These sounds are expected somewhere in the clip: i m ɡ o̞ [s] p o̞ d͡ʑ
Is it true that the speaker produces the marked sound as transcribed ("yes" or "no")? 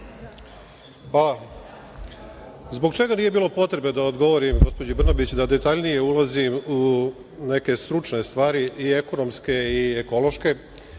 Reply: yes